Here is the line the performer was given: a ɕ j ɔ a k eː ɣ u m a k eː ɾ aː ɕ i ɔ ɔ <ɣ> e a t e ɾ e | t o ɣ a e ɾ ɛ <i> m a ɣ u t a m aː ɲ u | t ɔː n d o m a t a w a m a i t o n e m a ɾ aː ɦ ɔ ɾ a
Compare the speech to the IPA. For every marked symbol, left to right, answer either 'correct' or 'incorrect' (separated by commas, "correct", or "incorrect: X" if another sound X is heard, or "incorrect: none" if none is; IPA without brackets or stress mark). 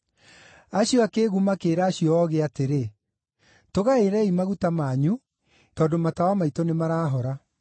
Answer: correct, correct